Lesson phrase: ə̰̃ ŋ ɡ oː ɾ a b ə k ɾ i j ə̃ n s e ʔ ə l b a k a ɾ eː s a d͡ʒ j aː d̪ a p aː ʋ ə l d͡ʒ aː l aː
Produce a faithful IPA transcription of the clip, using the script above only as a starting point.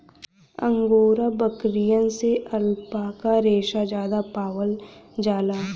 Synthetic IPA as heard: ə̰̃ ŋ ɡ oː ɾ a b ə k ɾ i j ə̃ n s e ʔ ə l p a k a ɾ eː ʃ a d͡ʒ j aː d̪ a p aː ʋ ə l d͡ʒ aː l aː